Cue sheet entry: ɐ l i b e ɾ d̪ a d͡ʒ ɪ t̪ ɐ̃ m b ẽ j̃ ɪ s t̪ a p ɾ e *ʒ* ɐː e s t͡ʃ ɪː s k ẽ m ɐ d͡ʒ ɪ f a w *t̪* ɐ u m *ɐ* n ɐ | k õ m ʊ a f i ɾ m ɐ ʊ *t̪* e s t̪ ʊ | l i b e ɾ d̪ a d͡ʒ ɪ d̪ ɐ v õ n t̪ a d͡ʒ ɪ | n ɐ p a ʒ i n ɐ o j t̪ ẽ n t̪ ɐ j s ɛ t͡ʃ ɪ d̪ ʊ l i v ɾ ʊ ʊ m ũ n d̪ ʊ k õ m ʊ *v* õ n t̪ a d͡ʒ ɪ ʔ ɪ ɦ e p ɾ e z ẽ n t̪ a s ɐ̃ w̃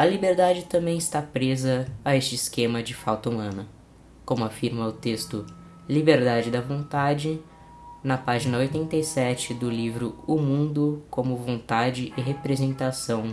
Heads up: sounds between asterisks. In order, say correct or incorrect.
incorrect, correct, incorrect, correct, correct

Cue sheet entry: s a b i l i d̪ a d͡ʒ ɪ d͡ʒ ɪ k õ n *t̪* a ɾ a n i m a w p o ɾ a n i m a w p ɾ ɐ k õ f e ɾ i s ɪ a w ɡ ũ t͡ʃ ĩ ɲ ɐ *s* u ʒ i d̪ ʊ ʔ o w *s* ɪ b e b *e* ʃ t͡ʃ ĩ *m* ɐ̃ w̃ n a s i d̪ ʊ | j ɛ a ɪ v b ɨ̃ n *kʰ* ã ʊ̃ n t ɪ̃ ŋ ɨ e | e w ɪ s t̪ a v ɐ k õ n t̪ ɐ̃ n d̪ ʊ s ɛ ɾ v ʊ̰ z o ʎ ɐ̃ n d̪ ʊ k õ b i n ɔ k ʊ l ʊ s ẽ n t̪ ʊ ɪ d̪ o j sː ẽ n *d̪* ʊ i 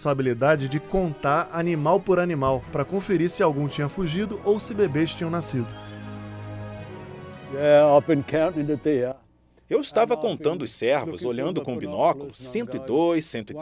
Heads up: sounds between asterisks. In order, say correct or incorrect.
correct, incorrect, correct, correct, incorrect, correct, incorrect

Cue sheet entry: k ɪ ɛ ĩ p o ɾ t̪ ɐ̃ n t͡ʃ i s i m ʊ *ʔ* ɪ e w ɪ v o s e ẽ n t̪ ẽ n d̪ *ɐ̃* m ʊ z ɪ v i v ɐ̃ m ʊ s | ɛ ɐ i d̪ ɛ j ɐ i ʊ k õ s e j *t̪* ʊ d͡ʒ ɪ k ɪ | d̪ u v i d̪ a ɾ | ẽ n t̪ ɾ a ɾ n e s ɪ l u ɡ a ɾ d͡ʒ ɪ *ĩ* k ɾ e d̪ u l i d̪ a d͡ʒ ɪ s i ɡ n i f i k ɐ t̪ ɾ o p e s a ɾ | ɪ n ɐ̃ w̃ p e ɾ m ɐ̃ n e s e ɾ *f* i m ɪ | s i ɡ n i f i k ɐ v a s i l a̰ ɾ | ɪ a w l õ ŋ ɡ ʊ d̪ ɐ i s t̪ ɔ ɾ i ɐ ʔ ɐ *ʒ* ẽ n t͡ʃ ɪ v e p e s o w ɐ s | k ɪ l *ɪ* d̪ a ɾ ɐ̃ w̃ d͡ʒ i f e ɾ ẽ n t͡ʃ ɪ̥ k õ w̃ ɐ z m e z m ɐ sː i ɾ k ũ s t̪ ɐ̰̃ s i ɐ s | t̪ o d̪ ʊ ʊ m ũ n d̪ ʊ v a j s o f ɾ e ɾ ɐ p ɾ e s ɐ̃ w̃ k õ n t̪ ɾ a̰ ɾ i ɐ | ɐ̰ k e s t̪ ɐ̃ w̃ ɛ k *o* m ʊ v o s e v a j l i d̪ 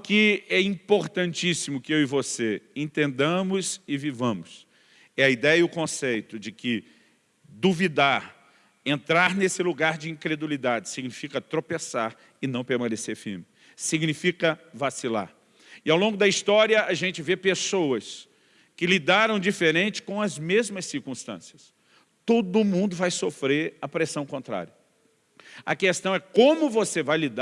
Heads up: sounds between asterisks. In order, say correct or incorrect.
incorrect, correct, correct, correct, correct, correct, incorrect, incorrect

